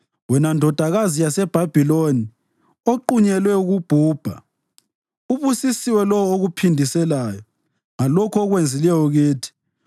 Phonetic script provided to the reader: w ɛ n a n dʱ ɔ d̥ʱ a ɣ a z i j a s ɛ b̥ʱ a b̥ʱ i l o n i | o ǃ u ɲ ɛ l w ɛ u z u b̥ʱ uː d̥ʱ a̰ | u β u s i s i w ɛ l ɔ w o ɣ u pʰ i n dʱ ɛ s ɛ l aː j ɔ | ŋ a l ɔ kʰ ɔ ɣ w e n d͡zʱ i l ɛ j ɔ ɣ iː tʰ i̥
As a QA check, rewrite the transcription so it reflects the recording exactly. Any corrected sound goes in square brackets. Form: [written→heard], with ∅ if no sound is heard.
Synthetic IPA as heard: w ɛ n a n dʱ ɔ d̥ʱ a ɣ a z i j a s ɛ b̥ʱ a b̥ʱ i l o n i | o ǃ u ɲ ɛ l w ɛ u [z→ɣ] u b̥ʱ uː [d̥ʱ→b̥ʱ] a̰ | u β u s i s i w ɛ l ɔ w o ɣ u pʰ i n dʱ [ɛ→i] s ɛ l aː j ɔ | ŋ a l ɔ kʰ ɔ ɣ w e n d͡zʱ i l ɛ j ɔ ɣ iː tʰ i̥